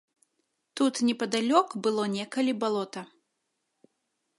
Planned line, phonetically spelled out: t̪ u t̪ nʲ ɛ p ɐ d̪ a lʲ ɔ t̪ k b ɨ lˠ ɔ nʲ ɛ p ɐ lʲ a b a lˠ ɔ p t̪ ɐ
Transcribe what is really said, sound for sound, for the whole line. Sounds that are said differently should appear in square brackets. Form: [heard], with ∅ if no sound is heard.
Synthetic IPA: t̪ u t̪ nʲ ɛ p ɐ d̪ a lʲ ɔ [∅] k b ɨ lˠ ɔ nʲ ɛ [k] ɐ lʲ [i] b a lˠ ɔ [∅] t̪ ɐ

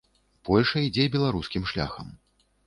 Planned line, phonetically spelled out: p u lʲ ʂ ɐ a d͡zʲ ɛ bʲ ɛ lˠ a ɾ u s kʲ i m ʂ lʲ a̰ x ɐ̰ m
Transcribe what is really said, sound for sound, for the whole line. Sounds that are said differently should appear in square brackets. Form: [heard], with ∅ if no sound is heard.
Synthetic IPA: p [ɔ] lʲ ʂ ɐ [i] d͡zʲ ɛ bʲ ɛ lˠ a ɾ u s kʲ i m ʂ lʲ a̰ x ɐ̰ m

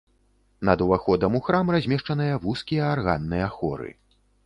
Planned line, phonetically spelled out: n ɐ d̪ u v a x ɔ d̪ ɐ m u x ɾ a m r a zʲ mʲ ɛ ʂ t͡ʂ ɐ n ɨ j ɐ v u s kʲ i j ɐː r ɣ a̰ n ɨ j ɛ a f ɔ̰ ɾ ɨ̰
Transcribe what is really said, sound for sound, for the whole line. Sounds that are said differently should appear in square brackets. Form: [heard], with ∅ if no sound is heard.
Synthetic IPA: n ɐ d̪ u v a x ɔ d̪ ɐ m u x ɾ a m r a zʲ mʲ ɛ ʂ t͡ʂ ɐ n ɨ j ɐ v u s kʲ i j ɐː r ɣ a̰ [nː] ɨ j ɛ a [x] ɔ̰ ɾ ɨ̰

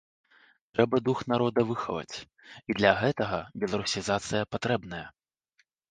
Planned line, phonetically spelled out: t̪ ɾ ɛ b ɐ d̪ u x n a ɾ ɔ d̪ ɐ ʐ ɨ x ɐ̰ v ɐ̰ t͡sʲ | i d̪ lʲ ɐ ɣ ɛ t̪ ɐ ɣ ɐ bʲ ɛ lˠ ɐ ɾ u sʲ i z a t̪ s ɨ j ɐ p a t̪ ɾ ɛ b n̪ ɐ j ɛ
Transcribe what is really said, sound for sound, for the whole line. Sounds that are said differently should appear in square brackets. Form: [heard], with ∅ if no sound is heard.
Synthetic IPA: t̪ ɾ ɛ b ɐ d̪ u x n a ɾ ɔ d̪ ɐ [v] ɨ x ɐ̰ v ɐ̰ t͡sʲ | i d̪ lʲ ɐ ɣ ɛ t̪ ɐ ɣ ɐ bʲ ɛ lˠ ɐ ɾ u sʲ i z a t̪ s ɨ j ɐ p a t̪ ɾ ɛ b n̪ ɐ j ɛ

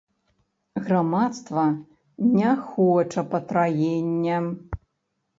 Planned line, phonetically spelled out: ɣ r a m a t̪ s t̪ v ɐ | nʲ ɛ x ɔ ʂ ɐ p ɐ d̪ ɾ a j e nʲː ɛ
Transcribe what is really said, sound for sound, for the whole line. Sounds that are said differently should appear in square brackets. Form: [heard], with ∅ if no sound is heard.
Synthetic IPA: ɣ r a m a t̪ s t̪ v ɐ | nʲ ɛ x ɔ [t͡ʂ] ɐ p ɐ [t̪] ɾ a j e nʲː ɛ

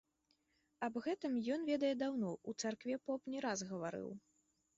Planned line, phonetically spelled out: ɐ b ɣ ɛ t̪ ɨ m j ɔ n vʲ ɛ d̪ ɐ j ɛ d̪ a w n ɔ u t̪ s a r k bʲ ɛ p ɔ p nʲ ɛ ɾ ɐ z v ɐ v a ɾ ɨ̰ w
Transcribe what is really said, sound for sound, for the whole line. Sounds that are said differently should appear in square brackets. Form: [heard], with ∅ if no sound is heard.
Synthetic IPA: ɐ b ɣ ɛ t̪ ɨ m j ɔ n vʲ ɛ d̪ ɐ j ɛ d̪ a w n ɔ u t̪ s a r k [vʲ] ɛ p ɔ p nʲ ɛ ɾ [a] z [ɣ] ɐ v a ɾ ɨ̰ w

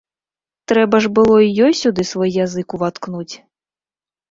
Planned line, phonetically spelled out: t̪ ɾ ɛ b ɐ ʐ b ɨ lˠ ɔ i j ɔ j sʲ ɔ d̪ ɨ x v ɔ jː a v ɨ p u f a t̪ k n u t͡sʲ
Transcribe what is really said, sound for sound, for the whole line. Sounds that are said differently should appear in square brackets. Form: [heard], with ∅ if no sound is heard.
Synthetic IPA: t̪ ɾ ɛ b ɐ ʐ b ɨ lˠ ɔ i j ɔ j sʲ [u] d̪ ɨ [s] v ɔ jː a [z] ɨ [k] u [v] a t̪ k n u t͡sʲ

